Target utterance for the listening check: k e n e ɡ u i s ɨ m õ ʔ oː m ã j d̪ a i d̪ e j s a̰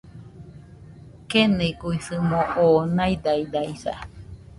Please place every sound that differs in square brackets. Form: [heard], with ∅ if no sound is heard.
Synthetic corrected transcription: k e n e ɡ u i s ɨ m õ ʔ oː [n] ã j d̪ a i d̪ [a] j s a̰